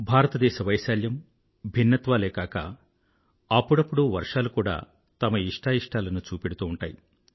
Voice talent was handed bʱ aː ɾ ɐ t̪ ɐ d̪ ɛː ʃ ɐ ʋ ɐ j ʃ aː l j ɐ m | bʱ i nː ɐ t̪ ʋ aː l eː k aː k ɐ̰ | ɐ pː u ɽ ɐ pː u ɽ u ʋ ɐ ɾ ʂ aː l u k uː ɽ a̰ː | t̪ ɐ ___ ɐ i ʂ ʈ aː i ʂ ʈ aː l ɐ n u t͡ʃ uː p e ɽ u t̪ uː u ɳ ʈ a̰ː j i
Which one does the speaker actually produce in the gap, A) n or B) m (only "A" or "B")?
B